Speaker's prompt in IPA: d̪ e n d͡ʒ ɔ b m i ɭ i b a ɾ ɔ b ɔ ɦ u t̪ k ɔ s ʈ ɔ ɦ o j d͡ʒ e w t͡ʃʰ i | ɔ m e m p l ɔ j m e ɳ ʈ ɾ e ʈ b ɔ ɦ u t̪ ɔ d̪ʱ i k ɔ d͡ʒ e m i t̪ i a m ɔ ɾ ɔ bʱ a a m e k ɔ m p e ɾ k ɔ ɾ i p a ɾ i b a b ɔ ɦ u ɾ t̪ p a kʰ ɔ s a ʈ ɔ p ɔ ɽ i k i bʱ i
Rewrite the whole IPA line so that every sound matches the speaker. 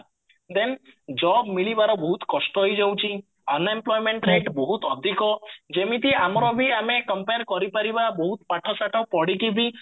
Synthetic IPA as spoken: d̪ e n d͡ʒ ɔ b m i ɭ i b a ɾ ɔ b ɔ ɦ u t̪ k ɔ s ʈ ɔ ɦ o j d͡ʒ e w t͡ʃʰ i | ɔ n e m p l ɔ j m e ɳ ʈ ɾ e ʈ b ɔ ɦ u t̪ ɔ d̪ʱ i k ɔ d͡ʒ e m i t̪ i a m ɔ ɾ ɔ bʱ i a m e k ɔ m p e ɾ k ɔ ɾ i p a ɾ i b a b ɔ ɦ u t̪ p a ʈʰ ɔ s a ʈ ɔ p ɔ ɽ i k i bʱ i